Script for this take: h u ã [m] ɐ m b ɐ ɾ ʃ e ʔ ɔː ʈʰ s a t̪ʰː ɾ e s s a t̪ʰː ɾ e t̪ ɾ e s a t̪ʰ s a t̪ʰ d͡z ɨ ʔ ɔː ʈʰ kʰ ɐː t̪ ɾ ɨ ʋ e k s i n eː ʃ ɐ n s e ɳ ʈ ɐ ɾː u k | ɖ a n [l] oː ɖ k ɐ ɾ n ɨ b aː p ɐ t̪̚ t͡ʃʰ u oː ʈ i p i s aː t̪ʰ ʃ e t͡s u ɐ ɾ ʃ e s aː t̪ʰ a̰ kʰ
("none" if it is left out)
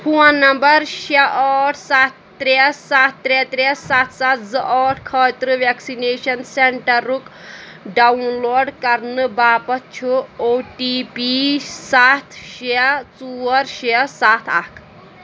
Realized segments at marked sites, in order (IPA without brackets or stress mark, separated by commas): n, l